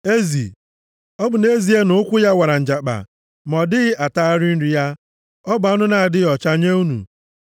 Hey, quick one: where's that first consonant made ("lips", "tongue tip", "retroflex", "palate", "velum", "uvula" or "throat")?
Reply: tongue tip